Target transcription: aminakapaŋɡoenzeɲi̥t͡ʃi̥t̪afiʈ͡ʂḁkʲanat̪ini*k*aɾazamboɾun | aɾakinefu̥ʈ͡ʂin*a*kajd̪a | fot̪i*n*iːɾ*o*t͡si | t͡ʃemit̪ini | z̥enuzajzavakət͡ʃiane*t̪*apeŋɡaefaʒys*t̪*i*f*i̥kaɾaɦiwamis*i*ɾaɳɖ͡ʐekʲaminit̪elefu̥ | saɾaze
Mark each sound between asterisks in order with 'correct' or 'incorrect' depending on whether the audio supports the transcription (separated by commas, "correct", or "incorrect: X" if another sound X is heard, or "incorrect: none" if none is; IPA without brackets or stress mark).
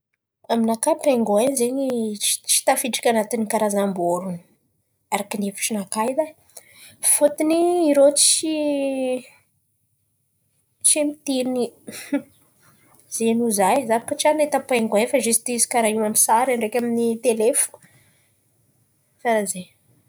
correct, correct, correct, correct, correct, correct, incorrect: s, incorrect: a